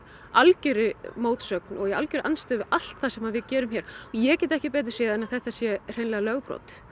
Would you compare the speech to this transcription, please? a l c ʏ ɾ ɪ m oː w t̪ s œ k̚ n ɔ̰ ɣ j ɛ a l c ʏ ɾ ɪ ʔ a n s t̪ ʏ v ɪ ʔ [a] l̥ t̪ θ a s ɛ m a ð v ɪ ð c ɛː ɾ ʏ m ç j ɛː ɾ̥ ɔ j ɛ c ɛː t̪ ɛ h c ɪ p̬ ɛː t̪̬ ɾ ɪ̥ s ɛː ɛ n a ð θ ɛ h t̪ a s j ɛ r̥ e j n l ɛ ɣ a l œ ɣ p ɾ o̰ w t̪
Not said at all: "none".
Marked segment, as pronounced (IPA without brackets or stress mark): a